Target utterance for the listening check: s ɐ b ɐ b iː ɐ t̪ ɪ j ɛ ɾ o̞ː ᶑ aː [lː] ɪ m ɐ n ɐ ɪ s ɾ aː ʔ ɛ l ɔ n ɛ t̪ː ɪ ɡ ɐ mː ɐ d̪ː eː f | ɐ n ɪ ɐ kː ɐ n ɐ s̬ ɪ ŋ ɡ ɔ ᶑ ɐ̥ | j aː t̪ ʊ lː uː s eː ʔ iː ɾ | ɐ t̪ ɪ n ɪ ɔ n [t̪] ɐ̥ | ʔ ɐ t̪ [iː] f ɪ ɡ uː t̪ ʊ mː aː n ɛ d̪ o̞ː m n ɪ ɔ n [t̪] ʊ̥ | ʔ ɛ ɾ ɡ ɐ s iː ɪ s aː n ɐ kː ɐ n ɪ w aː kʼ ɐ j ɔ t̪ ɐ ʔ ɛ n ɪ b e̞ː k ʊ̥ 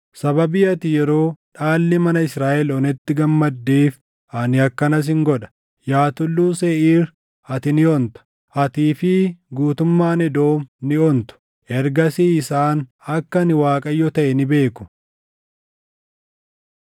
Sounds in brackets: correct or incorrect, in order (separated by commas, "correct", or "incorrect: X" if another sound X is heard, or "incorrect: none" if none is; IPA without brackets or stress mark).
correct, correct, correct, correct